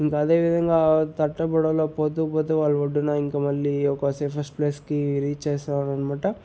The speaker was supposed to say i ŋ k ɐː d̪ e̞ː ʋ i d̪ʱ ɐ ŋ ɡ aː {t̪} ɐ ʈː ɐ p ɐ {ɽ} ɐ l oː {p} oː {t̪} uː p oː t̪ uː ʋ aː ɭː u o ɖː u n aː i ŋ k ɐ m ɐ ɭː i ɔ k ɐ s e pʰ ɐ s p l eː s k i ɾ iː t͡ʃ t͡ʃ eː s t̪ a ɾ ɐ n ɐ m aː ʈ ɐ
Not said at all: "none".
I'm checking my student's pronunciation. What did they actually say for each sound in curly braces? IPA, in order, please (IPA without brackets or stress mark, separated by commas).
t̪, ɽ, p, t̪